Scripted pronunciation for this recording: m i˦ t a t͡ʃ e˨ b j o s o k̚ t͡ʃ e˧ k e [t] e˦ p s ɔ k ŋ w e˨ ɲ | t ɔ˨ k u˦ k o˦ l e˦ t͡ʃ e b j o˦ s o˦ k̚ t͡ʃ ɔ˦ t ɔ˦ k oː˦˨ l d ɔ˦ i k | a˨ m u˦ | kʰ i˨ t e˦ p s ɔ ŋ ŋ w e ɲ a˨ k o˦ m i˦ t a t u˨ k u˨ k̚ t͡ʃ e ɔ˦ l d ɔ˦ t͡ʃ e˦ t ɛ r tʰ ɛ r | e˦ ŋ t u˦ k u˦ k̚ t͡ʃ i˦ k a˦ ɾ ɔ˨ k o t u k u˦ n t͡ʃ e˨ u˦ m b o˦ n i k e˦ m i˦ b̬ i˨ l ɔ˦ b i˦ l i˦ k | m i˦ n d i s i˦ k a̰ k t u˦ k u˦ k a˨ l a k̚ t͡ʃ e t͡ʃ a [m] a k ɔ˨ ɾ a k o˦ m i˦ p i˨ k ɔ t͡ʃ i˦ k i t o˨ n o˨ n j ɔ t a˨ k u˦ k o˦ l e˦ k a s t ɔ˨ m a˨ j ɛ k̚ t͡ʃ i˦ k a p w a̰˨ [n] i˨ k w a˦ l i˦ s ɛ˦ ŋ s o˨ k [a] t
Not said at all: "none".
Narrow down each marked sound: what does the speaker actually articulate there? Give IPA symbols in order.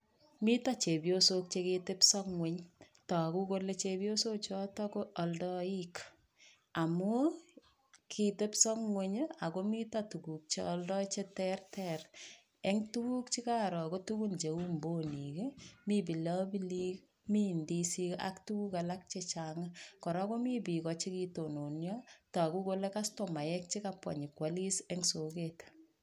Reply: t, ŋ, ɲ, e

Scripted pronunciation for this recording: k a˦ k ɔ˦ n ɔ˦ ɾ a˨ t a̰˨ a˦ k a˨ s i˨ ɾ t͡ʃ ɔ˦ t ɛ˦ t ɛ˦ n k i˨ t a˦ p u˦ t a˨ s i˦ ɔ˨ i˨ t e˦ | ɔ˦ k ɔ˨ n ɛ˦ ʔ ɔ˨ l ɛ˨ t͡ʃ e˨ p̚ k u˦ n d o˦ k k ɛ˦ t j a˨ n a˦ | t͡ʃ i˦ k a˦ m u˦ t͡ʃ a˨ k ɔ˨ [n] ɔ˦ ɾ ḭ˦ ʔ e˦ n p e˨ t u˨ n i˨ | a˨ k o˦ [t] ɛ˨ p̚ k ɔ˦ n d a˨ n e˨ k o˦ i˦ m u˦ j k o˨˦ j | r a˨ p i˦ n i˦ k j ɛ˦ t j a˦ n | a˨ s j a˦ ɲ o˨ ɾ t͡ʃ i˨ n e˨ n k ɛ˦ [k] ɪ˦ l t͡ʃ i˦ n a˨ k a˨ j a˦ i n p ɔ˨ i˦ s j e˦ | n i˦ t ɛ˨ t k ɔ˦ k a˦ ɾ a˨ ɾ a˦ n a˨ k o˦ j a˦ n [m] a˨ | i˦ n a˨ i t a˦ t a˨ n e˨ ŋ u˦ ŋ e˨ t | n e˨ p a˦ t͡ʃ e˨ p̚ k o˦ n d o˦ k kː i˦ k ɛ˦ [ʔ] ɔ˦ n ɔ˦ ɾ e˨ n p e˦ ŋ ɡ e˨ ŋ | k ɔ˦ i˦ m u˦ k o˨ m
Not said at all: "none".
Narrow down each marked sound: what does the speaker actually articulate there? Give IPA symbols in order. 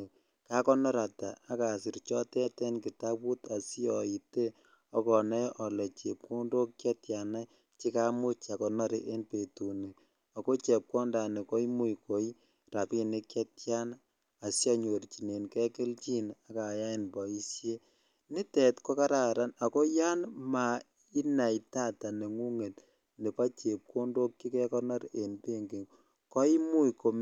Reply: n, t͡ʃ, k, m, k

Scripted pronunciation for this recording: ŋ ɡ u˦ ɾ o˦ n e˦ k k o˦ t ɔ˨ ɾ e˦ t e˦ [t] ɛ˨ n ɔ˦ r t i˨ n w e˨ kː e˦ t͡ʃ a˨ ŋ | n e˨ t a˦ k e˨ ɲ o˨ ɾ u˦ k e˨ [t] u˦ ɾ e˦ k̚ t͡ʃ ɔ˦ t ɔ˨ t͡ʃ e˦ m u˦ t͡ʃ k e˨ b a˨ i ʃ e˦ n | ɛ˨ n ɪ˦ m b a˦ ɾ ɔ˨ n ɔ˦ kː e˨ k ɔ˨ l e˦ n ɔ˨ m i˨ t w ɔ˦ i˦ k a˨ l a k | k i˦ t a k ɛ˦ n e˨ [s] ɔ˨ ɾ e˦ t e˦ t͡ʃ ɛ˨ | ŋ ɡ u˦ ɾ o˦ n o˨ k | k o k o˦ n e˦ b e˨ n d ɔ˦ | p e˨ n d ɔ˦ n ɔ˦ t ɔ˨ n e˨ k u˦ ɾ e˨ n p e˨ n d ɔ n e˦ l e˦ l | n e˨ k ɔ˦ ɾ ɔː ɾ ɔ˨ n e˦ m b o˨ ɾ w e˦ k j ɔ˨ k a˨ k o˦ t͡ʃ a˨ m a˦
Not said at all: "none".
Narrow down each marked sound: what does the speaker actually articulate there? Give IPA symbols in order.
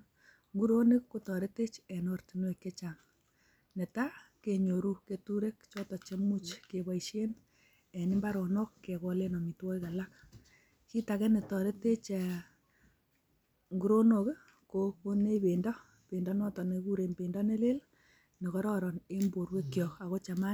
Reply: t͡ʃ, t, t

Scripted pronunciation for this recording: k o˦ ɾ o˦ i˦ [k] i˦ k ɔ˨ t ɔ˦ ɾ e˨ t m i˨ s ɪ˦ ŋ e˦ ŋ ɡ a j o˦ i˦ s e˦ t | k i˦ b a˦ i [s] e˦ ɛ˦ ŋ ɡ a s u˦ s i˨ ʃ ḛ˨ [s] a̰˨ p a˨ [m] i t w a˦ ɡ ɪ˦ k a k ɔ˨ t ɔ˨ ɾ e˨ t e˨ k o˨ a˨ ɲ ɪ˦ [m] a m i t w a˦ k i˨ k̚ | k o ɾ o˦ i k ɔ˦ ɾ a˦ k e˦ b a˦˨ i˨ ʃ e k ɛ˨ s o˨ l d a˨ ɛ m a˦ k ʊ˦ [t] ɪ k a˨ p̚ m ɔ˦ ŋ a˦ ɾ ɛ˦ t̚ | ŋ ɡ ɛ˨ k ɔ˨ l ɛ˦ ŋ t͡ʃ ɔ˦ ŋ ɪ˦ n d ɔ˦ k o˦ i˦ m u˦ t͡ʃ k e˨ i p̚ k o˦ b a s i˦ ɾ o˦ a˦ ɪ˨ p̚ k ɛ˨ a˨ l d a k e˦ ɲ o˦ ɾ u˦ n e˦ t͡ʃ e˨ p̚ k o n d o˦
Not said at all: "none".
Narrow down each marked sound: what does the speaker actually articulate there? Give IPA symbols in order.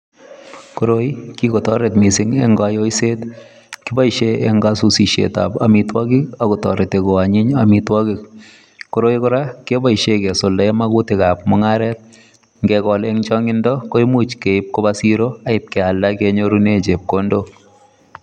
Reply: k, ʃ, t, m, ɲ, t

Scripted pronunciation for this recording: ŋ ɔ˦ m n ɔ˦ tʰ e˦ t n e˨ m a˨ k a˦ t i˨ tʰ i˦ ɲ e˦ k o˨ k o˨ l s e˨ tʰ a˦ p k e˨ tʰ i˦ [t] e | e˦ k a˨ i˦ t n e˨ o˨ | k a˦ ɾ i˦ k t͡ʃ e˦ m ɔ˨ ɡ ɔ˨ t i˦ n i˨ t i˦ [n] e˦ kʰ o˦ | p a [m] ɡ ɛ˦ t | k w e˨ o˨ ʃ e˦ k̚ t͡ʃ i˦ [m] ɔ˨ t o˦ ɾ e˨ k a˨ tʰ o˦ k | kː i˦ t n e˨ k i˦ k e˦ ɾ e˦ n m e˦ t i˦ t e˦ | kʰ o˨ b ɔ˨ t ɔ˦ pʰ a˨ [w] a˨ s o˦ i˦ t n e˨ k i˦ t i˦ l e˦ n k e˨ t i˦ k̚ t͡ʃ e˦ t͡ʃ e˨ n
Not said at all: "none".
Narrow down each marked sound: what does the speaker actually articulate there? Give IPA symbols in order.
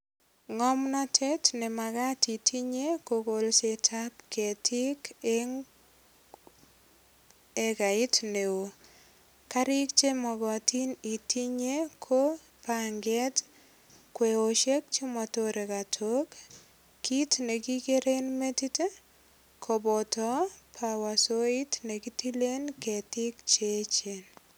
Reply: k, ɲ, ŋ, m, w

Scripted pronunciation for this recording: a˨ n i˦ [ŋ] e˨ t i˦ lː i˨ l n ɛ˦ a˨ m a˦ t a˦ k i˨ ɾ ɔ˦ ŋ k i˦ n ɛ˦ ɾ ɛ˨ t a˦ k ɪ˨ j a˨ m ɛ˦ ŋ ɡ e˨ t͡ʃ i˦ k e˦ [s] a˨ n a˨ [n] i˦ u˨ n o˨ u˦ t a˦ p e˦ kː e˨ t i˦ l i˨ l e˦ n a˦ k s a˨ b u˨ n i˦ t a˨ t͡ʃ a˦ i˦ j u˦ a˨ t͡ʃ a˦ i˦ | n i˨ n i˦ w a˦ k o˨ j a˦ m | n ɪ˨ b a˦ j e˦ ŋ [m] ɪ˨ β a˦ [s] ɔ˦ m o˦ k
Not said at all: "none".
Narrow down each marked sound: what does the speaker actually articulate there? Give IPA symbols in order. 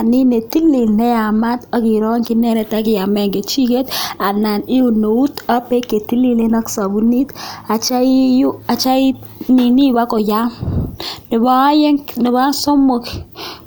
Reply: n, t, n, n, s

